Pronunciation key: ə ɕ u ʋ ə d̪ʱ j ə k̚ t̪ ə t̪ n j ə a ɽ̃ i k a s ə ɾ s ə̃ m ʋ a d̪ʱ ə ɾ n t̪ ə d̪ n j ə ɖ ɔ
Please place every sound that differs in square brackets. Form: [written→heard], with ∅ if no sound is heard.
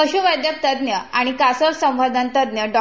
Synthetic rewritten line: ə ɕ u ʋ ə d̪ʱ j ə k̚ t̪ ə [t̪→d̪] n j ə a ɽ̃ i k a s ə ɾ s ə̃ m ʋ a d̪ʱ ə [ɾ→∅] n t̪ ə d̪ n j ə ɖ ɔ